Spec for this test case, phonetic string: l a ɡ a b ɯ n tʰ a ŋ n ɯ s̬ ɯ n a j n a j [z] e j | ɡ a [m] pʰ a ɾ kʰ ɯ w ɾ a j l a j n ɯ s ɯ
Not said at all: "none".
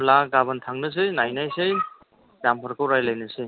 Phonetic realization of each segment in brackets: s, m

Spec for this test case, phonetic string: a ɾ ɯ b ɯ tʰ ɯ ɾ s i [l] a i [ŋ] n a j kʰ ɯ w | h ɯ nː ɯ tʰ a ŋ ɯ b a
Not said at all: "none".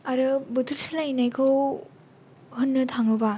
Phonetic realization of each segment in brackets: l, none

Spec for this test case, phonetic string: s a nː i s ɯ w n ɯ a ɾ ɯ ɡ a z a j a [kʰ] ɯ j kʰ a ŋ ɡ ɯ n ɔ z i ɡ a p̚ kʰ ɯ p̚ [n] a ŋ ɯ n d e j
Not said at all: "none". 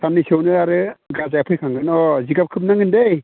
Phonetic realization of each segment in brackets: pʰ, n

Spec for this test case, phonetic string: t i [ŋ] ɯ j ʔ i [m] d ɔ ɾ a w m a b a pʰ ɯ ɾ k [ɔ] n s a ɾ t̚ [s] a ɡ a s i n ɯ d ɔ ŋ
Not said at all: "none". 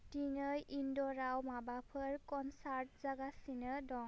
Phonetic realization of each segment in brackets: ŋ, n, ɔ, z

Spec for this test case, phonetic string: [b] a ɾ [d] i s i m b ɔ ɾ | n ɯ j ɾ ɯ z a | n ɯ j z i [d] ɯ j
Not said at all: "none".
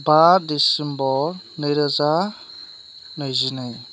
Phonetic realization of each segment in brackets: b, d, n

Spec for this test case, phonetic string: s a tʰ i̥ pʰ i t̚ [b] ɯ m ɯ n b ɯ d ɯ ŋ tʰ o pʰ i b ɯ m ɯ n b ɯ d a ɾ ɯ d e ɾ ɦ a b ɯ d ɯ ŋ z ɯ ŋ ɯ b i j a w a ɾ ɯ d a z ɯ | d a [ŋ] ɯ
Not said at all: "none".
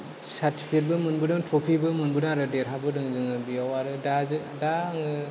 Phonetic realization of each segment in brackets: b, ŋ

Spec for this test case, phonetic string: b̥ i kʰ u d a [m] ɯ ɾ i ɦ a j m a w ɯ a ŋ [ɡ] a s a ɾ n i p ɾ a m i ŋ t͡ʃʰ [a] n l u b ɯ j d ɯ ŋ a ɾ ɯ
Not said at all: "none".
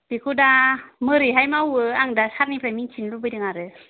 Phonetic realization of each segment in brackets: m, d, i

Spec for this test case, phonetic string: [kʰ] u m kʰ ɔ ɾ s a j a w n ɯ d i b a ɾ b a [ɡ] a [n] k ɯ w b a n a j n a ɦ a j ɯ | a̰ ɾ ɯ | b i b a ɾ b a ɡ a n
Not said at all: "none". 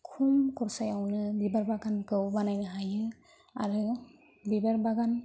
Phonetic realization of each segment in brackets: kʰ, ɡ, n

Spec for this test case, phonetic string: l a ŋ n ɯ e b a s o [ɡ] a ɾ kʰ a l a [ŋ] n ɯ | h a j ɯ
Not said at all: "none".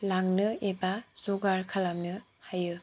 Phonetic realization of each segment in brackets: ɡ, m

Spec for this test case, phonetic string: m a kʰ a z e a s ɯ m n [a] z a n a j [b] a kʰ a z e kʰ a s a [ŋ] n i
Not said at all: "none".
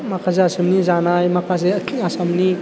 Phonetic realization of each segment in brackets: i, m, m

